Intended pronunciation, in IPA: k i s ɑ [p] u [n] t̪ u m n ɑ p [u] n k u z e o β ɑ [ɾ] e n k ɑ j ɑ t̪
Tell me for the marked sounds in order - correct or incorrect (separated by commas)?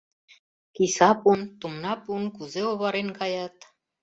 correct, correct, correct, correct